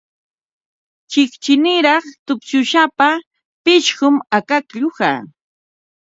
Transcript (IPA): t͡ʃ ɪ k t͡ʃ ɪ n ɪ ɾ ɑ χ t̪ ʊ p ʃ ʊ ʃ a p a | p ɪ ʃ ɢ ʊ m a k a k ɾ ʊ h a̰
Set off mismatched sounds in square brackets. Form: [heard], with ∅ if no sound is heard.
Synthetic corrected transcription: t͡ʃ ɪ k t͡ʃ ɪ n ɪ ɾ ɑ χ t̪ ʊ p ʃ ʊ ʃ a p a | p ɪ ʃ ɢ ʊ m a k a k [ʎ] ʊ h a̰